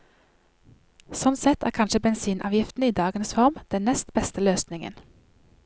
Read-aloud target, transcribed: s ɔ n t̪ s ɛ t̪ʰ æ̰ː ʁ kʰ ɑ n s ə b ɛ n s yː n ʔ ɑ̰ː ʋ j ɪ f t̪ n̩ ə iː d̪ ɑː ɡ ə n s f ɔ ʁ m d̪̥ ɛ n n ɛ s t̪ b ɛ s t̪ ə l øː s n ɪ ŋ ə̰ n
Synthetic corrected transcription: s ɔ n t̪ s ɛ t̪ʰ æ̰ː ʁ kʰ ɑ n ʃ ə b ɛ n s iː n ʔ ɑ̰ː ʋ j ɪ f t̪ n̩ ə iː d̪ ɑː ɡ ə n s f ɔ ʁ m d̪̥ ɛ n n ɛ s t̪ b ɛ s t̪ ə l øː s n ɪ ŋ ə̰ n